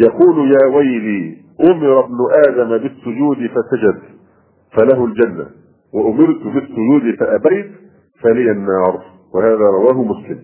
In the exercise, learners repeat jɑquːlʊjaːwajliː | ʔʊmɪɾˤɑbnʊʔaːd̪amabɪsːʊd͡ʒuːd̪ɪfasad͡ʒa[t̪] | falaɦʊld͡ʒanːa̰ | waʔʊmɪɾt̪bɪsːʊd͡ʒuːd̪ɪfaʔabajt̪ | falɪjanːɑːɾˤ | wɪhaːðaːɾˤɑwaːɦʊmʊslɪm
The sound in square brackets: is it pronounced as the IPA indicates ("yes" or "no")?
no